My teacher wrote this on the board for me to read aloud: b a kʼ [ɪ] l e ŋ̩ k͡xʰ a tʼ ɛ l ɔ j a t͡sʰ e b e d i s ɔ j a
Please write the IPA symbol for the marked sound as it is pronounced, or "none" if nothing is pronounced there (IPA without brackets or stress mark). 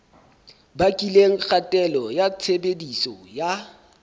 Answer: i